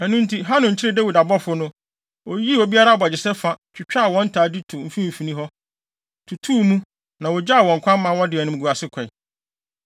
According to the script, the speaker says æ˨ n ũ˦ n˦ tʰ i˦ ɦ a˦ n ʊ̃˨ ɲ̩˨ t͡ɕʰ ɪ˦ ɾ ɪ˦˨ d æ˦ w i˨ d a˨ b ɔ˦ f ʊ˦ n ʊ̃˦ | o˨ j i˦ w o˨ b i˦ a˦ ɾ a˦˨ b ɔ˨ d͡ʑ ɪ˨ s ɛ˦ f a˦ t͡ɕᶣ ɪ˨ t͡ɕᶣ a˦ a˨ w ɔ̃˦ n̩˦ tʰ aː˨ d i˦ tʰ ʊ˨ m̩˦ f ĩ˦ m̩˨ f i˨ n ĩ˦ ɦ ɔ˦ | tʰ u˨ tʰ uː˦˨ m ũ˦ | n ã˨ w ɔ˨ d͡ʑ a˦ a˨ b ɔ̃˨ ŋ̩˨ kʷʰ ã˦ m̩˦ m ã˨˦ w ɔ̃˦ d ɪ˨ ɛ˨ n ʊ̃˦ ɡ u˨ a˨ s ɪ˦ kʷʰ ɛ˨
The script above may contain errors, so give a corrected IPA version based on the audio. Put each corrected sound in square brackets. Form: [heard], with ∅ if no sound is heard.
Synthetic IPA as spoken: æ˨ n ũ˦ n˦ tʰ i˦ ɦ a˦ n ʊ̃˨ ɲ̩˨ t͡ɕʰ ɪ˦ ɾ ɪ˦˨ d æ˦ w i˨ d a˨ b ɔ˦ f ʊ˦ n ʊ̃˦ | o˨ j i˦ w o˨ b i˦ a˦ ɾ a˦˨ b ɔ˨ d͡ʑ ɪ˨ s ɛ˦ f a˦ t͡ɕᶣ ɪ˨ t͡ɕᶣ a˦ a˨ w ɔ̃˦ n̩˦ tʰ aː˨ d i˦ tʰ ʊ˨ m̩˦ f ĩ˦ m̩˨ f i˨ n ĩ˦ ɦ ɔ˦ | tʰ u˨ tʰ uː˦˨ m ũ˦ | n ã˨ w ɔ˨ d͡ʑ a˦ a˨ [w] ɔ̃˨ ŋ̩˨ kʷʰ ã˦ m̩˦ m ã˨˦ w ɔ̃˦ d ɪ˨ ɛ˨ n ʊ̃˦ ɡ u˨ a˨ s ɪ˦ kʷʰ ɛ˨